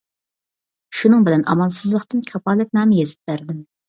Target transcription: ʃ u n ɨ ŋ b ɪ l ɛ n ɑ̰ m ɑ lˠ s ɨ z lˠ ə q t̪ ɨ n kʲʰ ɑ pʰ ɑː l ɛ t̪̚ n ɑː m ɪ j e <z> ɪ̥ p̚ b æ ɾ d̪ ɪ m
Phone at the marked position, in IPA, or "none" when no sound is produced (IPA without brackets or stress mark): z